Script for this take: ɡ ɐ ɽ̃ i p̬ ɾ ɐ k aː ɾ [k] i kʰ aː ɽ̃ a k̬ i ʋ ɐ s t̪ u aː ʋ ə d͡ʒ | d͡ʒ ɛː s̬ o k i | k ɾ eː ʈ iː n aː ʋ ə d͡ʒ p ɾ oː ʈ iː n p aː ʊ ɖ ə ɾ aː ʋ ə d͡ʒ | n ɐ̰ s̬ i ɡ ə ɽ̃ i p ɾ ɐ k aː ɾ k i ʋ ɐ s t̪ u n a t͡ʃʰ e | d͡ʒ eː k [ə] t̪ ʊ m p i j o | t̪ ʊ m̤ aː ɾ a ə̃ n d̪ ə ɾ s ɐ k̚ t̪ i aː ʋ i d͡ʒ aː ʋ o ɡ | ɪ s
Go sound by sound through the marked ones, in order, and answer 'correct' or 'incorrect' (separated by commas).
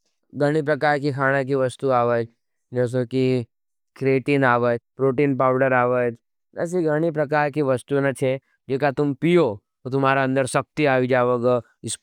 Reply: correct, incorrect